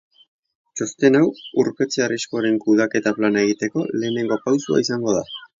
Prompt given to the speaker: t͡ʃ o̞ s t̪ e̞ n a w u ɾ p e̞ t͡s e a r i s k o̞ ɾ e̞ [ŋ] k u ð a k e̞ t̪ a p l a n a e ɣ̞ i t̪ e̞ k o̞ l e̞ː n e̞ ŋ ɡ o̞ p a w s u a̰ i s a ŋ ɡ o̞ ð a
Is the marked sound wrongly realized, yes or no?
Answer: no